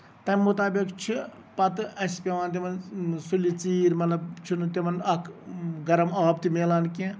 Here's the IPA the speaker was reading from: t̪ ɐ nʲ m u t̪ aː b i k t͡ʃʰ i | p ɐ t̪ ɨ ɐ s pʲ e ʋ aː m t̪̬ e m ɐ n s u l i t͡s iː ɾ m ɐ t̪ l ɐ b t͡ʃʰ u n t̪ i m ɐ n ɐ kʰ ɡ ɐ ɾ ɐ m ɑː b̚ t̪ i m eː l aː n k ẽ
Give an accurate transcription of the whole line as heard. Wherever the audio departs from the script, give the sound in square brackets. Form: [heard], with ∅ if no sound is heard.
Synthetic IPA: t̪ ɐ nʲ m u t̪ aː b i k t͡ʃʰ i | p ɐ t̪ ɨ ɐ s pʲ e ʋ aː [n] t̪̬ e m ɐ n s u l i t͡s iː ɾ m ɐ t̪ l ɐ b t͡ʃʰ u n t̪ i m ɐ n ɐ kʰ ɡ ɐ ɾ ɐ m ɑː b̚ t̪ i m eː l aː n k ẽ